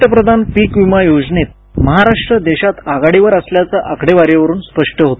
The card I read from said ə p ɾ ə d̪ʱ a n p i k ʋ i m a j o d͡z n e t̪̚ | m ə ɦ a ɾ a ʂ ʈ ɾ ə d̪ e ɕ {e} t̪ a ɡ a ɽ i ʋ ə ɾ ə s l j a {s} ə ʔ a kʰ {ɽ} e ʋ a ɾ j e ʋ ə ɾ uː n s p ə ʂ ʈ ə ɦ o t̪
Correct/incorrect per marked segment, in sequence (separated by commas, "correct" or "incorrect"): incorrect, incorrect, correct